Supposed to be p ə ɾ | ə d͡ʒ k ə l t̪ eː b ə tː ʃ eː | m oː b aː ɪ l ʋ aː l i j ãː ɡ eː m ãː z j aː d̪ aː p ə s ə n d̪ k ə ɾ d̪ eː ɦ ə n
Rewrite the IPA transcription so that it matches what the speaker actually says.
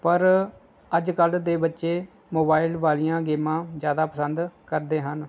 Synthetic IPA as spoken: p ə ɾ | ə d͡ʒ k ə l d̪ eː b ə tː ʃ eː | m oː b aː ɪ l ʋ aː l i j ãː ɡ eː m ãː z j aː d̪ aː p ə s ə n d̪ k ə ɾ d̪ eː ɦ ə n